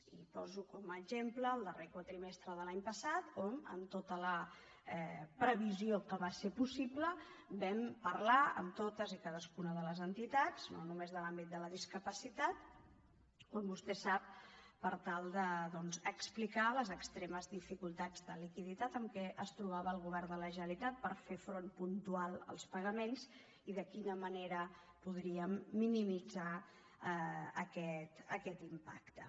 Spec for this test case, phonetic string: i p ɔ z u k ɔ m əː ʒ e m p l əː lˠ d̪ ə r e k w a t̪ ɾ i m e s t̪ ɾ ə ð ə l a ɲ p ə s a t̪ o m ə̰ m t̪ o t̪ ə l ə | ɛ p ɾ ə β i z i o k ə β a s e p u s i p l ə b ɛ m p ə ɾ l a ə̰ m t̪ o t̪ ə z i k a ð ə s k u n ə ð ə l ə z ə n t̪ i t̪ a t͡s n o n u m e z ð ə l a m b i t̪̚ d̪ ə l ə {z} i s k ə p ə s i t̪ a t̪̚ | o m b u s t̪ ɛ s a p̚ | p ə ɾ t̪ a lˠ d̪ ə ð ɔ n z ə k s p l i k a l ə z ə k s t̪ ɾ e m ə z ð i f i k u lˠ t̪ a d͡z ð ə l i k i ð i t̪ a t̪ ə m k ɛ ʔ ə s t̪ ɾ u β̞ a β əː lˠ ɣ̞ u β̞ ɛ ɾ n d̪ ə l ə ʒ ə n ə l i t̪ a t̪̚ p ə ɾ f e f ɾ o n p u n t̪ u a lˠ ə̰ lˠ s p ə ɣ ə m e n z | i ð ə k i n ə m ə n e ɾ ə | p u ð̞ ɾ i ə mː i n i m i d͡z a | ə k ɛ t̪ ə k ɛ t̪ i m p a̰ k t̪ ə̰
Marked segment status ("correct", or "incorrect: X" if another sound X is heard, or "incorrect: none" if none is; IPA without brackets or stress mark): incorrect: ð